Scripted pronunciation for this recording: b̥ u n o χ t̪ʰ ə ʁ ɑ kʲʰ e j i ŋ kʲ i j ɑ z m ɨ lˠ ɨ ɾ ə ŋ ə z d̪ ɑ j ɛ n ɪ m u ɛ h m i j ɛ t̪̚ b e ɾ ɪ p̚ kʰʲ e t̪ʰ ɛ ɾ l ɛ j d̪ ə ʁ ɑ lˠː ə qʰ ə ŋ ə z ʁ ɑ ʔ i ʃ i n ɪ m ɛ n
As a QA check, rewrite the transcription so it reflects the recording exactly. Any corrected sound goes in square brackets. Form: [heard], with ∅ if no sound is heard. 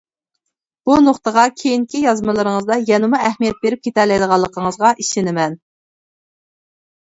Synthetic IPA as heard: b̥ u n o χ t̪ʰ ə ʁ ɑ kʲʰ e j i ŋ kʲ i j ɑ z m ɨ lˠ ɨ ɾ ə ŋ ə z d̪ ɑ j ɛ n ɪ m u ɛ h m i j ɛ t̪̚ b e ɾ ɪ p̚ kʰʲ e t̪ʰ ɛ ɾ l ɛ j d̪ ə ʁ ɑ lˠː ə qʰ ə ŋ ə z ʁ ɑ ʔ i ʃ [ɪ] n ɪ m ɛ n